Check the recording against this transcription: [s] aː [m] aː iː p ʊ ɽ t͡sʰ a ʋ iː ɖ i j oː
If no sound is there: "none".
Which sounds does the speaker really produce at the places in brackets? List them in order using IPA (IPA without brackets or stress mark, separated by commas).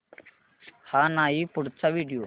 h, n